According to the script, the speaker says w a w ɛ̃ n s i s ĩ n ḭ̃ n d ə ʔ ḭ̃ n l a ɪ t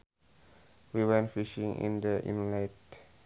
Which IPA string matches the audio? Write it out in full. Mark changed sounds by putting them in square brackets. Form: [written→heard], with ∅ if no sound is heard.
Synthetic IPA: w [a→i] w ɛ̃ n [s→f] i [s→ʃ] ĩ [n→ŋ] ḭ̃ n d ə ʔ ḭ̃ n l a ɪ t